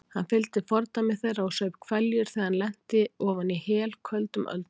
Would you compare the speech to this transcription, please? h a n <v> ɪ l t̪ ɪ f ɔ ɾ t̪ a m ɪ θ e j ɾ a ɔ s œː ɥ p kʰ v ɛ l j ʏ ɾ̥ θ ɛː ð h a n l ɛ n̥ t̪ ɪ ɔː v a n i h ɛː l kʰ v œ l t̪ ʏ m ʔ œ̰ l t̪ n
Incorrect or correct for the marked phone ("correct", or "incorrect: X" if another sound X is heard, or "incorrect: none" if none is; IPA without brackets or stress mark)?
incorrect: f